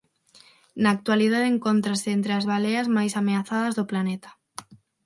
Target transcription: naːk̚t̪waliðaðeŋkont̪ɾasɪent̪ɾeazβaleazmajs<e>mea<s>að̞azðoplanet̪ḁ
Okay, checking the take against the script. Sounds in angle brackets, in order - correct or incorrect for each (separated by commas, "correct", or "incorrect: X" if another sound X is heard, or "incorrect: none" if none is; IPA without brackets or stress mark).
incorrect: a, incorrect: θ